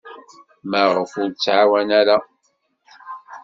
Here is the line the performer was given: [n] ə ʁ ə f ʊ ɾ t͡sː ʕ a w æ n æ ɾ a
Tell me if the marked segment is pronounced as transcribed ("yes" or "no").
no